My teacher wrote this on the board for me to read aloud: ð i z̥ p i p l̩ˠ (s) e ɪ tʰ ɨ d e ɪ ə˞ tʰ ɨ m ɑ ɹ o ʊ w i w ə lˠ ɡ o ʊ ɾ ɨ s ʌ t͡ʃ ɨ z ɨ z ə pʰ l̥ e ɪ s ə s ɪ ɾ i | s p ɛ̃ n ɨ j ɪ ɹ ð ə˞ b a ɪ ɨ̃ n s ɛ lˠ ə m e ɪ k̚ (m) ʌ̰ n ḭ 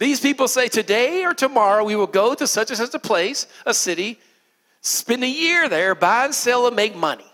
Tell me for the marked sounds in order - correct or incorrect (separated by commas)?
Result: correct, correct